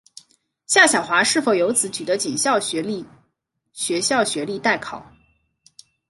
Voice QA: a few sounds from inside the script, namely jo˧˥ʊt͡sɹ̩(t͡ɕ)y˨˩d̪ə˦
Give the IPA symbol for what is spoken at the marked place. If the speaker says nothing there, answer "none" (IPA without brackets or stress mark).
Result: t͡ɕ